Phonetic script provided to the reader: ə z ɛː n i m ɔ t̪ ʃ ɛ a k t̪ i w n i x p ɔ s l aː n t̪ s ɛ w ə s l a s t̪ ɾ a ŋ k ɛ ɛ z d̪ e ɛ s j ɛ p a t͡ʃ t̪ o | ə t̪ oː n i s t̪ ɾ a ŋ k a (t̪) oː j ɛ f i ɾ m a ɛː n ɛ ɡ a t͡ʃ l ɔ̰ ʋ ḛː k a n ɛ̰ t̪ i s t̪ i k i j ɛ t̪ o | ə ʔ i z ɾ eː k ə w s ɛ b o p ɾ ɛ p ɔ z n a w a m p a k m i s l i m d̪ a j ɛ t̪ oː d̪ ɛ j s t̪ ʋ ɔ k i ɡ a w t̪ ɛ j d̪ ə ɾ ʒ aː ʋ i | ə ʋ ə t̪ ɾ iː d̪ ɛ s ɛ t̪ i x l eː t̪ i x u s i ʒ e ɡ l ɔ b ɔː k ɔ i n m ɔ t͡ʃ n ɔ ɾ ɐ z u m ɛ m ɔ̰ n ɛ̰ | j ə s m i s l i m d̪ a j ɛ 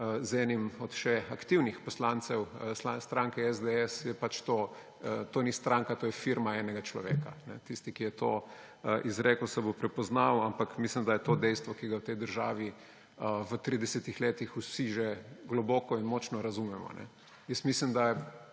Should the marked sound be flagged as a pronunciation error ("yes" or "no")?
no